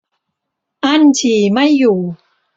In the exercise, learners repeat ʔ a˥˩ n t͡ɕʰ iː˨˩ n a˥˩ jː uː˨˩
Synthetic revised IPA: ʔ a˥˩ n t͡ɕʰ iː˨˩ m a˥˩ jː uː˨˩